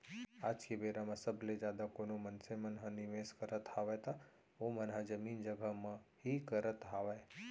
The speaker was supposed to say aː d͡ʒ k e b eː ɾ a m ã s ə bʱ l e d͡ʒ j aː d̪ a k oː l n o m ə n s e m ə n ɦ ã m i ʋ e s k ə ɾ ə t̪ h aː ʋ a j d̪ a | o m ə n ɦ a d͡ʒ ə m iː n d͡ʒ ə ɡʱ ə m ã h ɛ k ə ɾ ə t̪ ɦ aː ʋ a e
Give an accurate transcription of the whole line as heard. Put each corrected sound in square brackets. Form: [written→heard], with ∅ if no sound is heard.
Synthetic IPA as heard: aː d͡ʒ k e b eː ɾ a m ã s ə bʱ l e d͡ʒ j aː d̪ a k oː [l→∅] n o m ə n s e m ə n ɦ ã [m→n] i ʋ e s k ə ɾ ə t̪ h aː ʋ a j [d̪→t̪] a | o m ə n ɦ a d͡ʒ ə m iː n d͡ʒ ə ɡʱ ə m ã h [ɛ→i] k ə ɾ ə t̪ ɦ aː ʋ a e